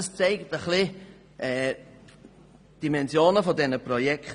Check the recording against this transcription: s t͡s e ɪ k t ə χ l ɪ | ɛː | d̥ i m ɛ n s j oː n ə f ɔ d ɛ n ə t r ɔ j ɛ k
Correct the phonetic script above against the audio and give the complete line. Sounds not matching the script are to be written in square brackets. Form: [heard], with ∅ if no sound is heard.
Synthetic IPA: s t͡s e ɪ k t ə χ l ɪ | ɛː | d̥ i m ɛ n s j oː n ə f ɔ d ɛ n ə [p] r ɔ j ɛ k